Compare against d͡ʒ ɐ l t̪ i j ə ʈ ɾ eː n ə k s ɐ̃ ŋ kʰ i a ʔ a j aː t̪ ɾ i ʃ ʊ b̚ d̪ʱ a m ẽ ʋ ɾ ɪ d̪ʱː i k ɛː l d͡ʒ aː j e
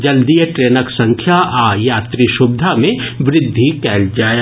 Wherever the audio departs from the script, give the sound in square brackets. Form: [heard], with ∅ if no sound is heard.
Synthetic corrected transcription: d͡ʒ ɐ l [d̪] i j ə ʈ ɾ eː n ə k s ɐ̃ ŋ kʰ [j] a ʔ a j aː t̪ ɾ i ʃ ʊ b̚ d̪ʱ a m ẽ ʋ ɾ ɪ d̪ʱː i k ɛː l d͡ʒ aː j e